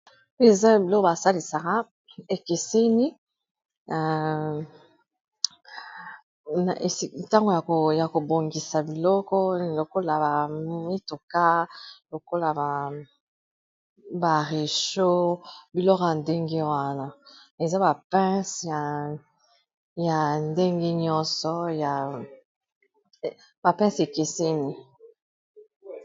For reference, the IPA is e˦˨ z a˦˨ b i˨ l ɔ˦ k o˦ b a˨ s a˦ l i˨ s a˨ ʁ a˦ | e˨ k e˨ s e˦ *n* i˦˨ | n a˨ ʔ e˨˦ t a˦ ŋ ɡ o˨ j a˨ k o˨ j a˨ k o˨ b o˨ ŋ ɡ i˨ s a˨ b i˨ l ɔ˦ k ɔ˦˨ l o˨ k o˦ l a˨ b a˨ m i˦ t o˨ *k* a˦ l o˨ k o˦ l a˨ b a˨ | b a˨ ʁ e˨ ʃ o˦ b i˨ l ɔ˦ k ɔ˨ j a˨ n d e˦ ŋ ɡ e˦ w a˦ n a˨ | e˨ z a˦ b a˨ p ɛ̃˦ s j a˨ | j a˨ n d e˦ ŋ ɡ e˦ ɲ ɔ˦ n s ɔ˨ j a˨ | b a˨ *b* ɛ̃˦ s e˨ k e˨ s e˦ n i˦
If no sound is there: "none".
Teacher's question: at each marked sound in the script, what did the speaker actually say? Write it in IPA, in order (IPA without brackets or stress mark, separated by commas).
n, k, p